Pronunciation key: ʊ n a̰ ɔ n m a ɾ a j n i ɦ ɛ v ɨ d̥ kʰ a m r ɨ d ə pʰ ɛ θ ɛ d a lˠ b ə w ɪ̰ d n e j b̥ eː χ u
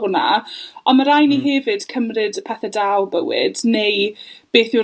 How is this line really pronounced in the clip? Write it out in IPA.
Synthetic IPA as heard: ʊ n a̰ ɔ n m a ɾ a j n i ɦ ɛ v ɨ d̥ kʰ ə m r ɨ d ə pʰ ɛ θ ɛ d a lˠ b ə w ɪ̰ d n e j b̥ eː θ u